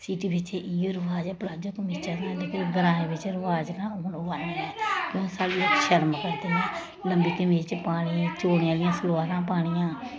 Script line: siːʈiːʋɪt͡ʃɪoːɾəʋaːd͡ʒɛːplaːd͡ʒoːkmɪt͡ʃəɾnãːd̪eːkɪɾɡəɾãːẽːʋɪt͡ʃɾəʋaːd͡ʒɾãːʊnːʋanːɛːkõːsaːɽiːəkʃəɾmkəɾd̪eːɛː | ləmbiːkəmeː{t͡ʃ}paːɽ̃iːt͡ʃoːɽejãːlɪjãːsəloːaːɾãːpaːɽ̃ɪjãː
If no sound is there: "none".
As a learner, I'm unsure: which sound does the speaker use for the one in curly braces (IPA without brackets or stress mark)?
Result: t͡ʃ